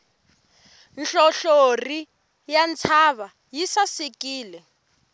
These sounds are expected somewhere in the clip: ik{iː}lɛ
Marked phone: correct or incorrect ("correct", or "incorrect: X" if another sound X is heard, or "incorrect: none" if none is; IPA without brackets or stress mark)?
correct